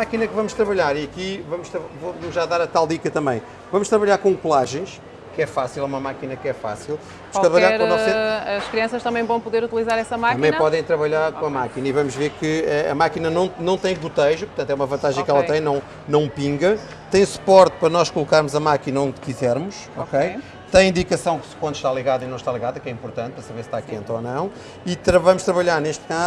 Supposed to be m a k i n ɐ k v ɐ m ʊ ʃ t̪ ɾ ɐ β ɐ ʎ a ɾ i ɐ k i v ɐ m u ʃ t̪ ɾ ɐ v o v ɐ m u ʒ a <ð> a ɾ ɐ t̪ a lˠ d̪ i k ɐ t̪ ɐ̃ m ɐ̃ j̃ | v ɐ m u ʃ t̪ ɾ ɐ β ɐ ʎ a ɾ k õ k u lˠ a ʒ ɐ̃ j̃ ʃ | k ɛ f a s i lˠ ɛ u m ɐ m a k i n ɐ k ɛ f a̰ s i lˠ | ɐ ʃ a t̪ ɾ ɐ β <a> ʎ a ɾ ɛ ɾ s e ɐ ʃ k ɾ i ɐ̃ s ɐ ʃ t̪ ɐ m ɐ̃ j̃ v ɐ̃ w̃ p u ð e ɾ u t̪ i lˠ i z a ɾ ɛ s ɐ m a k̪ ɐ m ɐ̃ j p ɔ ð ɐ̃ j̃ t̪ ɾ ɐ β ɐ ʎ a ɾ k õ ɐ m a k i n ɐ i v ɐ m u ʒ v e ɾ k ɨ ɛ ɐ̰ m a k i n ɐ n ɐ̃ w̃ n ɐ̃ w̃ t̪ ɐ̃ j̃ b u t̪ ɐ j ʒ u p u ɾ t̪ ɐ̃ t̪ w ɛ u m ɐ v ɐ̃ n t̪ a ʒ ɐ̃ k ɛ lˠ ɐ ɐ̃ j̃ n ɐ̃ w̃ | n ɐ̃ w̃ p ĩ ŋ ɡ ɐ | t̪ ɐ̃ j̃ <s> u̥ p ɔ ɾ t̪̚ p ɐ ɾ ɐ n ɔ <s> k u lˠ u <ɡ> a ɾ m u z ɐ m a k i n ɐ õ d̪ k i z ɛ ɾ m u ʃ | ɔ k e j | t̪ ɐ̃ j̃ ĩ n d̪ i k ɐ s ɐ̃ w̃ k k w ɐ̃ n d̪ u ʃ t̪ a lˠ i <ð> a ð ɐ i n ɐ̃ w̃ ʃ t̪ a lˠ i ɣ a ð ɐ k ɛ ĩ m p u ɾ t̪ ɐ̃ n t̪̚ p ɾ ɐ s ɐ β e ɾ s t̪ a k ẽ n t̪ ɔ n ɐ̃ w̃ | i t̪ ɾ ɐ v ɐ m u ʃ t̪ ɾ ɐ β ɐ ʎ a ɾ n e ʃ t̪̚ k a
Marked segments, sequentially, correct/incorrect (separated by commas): correct, incorrect, correct, incorrect, incorrect, incorrect